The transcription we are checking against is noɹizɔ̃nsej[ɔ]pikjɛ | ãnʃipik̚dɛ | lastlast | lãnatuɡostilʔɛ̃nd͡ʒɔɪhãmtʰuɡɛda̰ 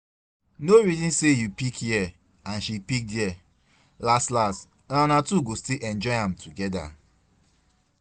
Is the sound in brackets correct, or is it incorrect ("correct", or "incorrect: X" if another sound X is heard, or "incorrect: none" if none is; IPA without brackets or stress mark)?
incorrect: u